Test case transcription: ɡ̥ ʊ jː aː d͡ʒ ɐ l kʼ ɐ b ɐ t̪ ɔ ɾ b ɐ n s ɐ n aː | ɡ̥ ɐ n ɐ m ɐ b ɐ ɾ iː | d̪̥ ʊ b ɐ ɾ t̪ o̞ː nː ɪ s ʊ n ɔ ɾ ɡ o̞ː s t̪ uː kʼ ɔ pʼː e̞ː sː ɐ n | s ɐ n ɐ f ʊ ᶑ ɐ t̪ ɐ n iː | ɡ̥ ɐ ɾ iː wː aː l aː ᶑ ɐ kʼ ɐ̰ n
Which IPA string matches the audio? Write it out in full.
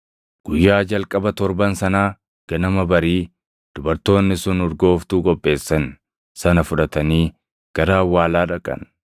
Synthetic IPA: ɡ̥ ʊ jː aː d͡ʒ ɐ l kʼ ɐ b ɐ t̪ ɔ ɾ b ɐ n s ɐ n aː | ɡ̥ ɐ n ɐ m ɐ b ɐ ɾ iː | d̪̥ ʊ b ɐ ɾ t̪ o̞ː nː ɪ s ʊ n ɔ ɾ ɡ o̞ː f t̪ uː kʼ ɔ pʼː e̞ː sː ɐ n | s ɐ n ɐ f ʊ ᶑ ɐ t̪ ɐ n iː | ɡ̥ ɐ ɾ aː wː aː l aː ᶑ ɐ kʼ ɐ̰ n